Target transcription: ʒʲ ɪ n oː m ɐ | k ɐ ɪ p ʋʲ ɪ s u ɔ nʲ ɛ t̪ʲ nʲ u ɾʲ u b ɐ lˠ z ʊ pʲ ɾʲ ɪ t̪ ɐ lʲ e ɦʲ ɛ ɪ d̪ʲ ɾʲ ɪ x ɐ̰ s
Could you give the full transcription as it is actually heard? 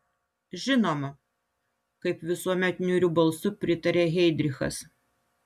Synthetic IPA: ʒʲ ɪ n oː m ɐ | k ɐ ɪ p ʋʲ ɪ s u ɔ mʲ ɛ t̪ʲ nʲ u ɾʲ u b ɐ lˠ s ʊ pʲ ɾʲ ɪ t̪ ɐ ɾʲ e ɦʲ ɛ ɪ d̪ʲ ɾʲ ɪ x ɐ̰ s